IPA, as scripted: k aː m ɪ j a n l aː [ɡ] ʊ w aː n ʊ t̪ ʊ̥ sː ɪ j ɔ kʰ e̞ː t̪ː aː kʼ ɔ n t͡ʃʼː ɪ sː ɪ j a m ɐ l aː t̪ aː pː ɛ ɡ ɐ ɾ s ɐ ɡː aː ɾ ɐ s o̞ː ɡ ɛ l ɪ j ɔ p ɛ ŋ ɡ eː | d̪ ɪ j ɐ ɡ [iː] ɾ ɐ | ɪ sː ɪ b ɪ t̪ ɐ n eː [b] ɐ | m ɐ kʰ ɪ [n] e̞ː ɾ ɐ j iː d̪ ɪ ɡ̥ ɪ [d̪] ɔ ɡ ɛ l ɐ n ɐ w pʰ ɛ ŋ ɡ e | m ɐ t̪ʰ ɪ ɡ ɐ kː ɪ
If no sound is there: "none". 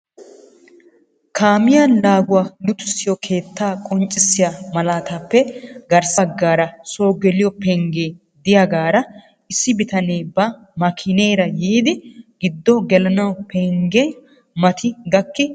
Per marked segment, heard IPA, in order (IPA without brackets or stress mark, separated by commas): ɡ, aː, b, n, d̪ː